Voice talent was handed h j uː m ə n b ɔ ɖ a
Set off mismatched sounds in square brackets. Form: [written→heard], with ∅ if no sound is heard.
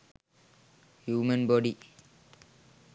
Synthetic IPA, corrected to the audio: h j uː m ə n b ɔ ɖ [a→i]